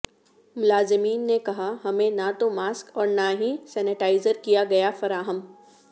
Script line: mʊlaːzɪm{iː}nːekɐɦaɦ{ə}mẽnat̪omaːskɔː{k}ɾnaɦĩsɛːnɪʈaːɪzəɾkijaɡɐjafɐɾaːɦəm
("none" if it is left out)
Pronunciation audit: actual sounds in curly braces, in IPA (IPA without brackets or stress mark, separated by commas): iː, ɐ, none